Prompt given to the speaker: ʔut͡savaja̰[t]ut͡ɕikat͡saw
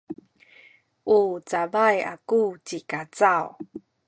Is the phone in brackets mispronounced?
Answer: yes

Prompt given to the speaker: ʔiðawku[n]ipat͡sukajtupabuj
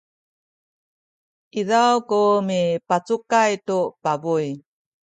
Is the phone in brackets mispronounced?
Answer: yes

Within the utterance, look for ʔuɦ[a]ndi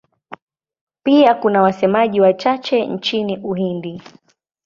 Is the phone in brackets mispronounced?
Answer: yes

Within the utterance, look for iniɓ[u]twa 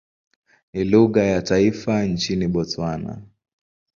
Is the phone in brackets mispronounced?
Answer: yes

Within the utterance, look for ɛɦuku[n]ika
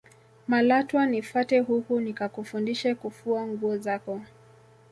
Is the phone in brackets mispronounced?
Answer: no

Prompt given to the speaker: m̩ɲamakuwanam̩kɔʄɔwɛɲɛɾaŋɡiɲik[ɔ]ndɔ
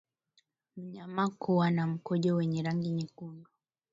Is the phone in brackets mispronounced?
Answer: yes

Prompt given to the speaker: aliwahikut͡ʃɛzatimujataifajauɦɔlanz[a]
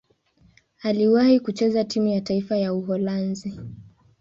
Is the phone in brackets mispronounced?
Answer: yes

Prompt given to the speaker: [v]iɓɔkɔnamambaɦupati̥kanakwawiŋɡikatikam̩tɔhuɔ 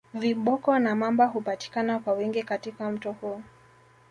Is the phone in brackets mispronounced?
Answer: no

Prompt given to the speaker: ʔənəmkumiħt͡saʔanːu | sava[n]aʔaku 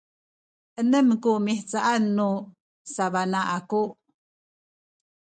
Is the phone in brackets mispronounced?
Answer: no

